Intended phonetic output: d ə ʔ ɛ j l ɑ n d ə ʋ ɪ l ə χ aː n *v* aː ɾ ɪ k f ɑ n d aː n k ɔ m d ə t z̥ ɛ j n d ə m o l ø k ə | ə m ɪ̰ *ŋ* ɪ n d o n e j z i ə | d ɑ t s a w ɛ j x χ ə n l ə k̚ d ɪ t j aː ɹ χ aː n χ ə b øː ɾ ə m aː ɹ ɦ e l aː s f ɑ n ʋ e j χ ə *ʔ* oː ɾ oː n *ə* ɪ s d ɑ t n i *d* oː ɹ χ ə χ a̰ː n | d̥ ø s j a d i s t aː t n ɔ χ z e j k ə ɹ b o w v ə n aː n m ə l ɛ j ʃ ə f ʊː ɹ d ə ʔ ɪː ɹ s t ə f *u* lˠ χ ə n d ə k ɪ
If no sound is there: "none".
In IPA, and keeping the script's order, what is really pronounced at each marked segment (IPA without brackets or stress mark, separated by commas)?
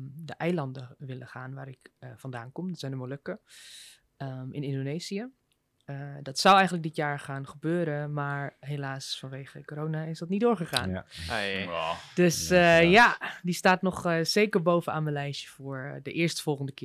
ʋ, n, k, a, d, ɔ